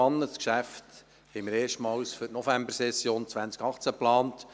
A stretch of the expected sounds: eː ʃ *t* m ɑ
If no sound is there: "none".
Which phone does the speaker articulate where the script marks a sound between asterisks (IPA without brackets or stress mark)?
t